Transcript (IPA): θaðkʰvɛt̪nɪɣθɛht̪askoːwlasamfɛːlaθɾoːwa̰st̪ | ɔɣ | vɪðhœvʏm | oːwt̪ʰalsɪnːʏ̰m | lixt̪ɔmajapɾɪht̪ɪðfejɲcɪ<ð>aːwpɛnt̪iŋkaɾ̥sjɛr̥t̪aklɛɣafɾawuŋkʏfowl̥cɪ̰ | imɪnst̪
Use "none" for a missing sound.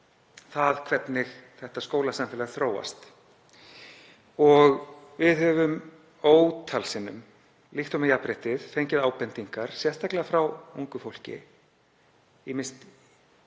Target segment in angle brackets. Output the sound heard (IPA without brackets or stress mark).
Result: ð